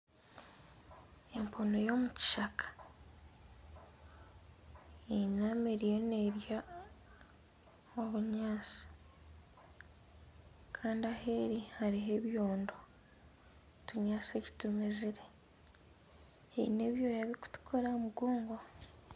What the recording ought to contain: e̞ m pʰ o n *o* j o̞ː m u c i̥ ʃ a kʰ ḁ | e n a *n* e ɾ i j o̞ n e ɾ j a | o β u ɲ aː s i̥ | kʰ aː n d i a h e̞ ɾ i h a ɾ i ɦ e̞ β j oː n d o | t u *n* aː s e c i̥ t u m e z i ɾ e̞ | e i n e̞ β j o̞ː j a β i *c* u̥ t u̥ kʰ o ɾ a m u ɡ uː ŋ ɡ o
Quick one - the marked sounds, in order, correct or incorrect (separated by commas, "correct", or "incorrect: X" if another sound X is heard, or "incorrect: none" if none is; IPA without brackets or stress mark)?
correct, incorrect: m, incorrect: ɲ, incorrect: k